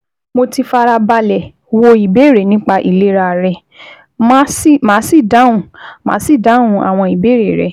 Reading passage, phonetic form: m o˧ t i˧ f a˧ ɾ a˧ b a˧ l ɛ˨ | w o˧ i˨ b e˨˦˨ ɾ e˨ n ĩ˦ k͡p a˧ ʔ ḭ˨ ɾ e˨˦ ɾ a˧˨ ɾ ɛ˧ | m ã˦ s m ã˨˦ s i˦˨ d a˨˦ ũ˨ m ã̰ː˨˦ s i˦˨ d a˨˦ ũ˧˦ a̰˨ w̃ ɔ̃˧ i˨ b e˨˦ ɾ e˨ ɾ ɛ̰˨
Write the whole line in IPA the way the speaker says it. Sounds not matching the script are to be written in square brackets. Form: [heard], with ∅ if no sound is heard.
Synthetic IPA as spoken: m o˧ t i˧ f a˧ ɾ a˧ b a˧ l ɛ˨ | w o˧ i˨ b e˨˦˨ ɾ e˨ n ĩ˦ k͡p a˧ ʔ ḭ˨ [l] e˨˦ ɾ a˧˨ ɾ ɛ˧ | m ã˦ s m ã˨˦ s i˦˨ d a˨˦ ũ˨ m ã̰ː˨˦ s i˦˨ d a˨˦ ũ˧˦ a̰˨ w̃ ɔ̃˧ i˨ b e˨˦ ɾ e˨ ɾ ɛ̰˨